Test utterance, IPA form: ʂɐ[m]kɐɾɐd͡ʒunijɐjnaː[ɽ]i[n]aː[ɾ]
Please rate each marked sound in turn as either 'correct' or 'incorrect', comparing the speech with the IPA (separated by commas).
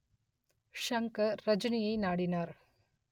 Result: incorrect, correct, correct, correct